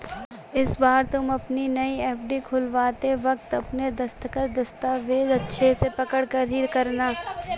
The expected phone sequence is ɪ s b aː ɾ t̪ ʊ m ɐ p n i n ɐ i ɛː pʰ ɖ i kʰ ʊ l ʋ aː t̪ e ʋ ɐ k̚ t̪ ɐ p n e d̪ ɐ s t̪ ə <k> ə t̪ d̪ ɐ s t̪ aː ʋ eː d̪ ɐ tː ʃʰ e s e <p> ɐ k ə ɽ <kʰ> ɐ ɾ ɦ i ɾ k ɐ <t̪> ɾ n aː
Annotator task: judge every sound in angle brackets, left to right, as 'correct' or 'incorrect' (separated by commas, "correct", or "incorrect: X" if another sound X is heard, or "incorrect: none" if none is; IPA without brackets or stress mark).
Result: correct, correct, incorrect: k, incorrect: none